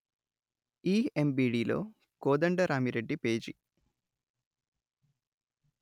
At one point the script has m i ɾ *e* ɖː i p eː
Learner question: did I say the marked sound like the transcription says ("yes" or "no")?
yes